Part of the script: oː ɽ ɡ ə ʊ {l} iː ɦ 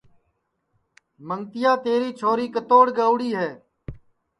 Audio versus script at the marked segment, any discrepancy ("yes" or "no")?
yes